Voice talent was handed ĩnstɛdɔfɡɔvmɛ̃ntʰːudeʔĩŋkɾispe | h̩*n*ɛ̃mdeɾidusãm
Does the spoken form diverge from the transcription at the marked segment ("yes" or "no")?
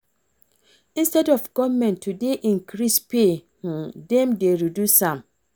yes